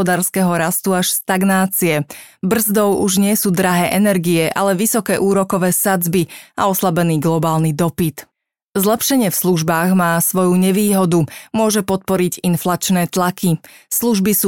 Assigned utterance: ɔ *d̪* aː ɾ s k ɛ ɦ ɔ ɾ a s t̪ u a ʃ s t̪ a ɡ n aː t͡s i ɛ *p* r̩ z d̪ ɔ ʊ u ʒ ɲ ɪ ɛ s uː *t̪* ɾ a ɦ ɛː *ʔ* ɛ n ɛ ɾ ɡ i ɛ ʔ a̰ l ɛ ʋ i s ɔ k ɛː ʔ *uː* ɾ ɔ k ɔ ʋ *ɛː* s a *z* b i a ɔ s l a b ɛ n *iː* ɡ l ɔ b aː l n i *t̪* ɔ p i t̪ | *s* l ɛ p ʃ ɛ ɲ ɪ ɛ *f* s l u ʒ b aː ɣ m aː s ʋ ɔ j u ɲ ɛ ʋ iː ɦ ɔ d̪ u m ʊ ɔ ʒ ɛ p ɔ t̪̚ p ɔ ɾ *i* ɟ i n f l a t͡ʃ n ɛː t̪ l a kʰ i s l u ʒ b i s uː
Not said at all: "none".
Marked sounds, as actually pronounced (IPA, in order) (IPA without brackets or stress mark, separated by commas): d̪, b, d̪, ʔ, uː, ɛː, d͡z, iː, d̪, z, f, i